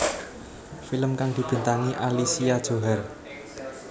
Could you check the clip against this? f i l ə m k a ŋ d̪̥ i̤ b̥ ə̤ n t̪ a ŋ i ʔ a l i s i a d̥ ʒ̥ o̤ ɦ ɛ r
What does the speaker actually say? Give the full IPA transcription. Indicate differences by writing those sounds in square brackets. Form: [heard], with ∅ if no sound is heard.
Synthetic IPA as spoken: f i l ə m k a ŋ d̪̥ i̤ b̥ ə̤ n t̪ a ŋ i ʔ a l i s i a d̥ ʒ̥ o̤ ɦ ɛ r